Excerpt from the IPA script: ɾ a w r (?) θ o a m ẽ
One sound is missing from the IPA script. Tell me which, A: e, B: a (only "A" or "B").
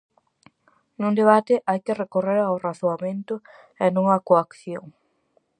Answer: B